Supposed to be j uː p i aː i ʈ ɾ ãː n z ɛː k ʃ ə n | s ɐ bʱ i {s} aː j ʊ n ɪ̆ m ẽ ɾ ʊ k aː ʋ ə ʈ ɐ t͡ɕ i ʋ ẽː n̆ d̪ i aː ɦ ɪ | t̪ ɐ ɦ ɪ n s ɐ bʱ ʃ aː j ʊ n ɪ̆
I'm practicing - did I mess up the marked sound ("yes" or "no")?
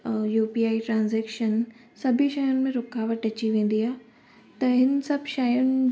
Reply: yes